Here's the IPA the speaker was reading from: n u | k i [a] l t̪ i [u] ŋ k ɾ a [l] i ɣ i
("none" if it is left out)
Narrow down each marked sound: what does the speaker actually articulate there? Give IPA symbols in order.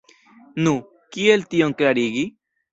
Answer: e, o, ɾ

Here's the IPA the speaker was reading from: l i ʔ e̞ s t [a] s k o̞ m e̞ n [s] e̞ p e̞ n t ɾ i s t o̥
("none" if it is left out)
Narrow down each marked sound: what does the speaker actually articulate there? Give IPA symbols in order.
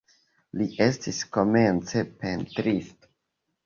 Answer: i, t͡s

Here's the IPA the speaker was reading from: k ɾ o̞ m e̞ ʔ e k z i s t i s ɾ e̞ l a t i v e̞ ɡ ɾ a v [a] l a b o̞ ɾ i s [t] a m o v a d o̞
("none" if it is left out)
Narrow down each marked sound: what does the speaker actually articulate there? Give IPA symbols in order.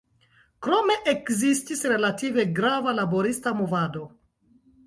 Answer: a, t

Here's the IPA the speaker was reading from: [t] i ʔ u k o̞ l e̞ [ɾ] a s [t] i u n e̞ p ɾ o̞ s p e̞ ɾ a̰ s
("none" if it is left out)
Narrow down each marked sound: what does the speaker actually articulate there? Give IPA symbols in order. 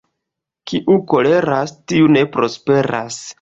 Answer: k, ɾ, t

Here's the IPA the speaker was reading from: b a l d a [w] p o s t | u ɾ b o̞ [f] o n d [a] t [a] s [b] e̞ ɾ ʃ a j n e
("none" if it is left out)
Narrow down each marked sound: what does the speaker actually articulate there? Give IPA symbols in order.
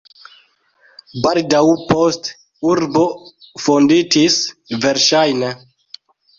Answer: w, f, i, i, v

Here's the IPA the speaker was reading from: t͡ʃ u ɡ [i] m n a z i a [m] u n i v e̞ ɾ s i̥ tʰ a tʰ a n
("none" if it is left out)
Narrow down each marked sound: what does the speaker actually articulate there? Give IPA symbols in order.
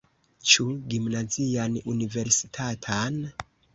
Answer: i, n

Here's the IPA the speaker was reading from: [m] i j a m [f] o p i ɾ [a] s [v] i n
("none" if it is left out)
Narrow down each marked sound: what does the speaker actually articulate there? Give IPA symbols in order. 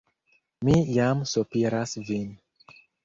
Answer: m, s, a, v

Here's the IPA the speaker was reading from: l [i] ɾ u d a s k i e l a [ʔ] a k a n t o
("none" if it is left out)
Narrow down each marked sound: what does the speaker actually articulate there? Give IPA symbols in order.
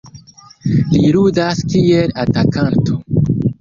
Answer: i, t

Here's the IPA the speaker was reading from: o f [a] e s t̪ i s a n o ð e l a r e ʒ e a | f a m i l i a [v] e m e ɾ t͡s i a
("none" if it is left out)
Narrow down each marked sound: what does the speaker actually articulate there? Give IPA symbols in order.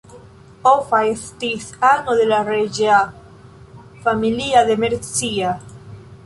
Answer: a, ð

